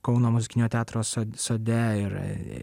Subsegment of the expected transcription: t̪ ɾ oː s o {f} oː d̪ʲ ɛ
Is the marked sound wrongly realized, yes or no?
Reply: yes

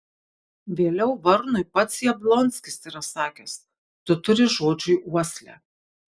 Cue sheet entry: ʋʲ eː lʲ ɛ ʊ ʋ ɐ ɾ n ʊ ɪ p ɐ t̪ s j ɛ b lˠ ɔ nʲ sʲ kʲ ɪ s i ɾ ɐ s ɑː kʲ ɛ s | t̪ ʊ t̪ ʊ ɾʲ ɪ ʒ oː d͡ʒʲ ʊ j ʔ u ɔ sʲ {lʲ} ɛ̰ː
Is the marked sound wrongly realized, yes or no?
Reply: no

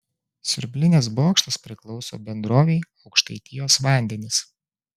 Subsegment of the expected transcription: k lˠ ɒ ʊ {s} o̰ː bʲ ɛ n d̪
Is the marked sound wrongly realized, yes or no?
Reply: no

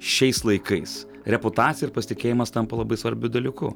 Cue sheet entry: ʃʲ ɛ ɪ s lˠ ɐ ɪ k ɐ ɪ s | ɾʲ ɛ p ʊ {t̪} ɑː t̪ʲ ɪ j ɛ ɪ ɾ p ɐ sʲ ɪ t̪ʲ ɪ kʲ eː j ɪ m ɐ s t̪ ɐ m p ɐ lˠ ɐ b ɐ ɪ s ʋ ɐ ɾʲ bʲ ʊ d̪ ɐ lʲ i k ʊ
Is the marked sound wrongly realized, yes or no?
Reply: no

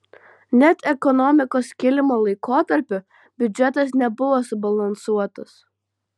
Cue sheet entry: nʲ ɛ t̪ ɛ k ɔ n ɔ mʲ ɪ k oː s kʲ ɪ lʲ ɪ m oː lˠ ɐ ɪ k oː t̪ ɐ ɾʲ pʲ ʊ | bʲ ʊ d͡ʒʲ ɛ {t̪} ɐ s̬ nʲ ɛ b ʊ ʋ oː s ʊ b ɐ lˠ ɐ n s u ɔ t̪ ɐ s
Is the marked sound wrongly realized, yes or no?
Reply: no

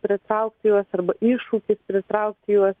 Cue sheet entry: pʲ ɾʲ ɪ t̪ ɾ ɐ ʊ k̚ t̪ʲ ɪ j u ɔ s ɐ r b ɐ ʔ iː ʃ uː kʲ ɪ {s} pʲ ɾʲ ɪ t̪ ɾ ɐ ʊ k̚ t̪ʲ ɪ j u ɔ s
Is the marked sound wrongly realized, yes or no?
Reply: no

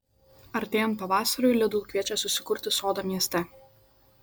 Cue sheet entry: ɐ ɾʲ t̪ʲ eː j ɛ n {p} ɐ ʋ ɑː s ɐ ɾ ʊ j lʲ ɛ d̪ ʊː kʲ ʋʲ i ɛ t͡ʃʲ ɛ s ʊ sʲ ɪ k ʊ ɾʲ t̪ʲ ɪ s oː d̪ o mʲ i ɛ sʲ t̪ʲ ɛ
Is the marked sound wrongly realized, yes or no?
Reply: no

